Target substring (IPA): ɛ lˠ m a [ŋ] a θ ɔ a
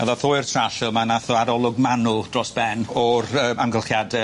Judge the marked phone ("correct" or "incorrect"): incorrect